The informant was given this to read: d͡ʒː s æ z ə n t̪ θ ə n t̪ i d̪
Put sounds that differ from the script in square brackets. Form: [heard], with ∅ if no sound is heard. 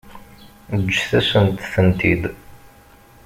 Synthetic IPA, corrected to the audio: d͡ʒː [θ] æ [s] ə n t̪ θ ə n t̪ i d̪